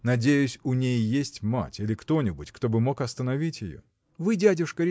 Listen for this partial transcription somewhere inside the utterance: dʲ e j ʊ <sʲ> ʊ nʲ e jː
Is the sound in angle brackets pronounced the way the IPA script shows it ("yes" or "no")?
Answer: yes